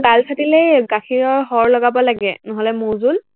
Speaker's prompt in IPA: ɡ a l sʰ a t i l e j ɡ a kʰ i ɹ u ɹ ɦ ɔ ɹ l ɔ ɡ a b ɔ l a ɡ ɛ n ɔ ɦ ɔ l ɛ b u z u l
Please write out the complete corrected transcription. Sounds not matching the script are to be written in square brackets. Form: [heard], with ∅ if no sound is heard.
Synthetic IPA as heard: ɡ a l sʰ a t i l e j ɡ a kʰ i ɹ [ɔ] ɹ ɦ ɔ ɹ l ɔ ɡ a b ɔ l a ɡ ɛ n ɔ ɦ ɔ l ɛ [m] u z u l